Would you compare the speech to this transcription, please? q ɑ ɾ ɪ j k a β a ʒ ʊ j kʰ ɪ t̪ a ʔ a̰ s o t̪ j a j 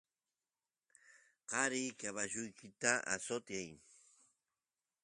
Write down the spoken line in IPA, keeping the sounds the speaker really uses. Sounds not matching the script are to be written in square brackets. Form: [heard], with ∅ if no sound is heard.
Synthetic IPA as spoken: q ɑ ɾ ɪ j k a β a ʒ ʊ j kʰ ɪ t̪ a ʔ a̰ s o t̪ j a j